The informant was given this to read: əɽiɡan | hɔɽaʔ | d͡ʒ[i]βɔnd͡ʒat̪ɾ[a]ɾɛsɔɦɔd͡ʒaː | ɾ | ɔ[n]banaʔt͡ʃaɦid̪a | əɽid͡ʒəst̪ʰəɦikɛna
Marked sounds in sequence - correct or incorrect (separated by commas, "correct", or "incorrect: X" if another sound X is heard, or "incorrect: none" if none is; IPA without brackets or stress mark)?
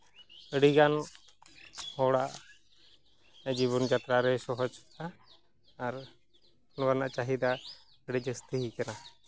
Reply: correct, correct, correct